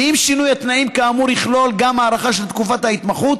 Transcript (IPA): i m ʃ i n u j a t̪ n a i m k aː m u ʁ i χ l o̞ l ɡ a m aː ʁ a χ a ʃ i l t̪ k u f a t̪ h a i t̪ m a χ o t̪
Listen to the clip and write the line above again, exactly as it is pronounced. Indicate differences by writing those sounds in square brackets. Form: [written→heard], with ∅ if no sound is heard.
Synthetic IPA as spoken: i m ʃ i n u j a t̪ n a i m k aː m u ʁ i χ l o̞ l ɡ a m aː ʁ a χ a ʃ [i→e] l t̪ k u f a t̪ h a i t̪ m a χ [o→u] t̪